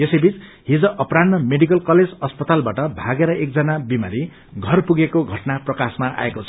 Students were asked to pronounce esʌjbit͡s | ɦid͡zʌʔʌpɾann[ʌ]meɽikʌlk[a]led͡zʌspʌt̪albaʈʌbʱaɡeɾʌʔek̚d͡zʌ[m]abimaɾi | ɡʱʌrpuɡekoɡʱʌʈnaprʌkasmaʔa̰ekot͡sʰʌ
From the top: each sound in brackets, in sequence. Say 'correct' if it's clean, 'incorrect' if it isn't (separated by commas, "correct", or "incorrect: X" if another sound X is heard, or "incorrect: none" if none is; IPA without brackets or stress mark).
correct, incorrect: ʌ, incorrect: n